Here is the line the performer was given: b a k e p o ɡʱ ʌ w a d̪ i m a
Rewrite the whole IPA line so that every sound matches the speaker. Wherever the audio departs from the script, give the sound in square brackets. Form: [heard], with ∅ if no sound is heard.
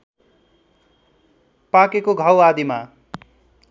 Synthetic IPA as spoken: [p] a k e [k] o ɡʱ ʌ w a d̪ i m a